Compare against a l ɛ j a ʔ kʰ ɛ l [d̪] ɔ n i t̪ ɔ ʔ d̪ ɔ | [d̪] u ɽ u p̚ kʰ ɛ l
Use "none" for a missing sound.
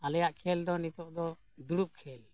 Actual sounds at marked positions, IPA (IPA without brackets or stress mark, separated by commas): d̪, d̪